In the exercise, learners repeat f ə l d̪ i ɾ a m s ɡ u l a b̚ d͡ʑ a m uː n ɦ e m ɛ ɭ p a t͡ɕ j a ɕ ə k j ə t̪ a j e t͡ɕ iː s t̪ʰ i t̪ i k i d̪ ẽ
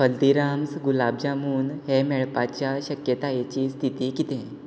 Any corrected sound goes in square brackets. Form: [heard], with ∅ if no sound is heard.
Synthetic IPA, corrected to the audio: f ə l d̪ i ɾ a m s ɡ u l a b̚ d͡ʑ a m uː n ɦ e m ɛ ɭ p a t͡ɕ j a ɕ ə k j ə t̪ a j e t͡ɕ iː s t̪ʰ i t̪ i k i [t̪] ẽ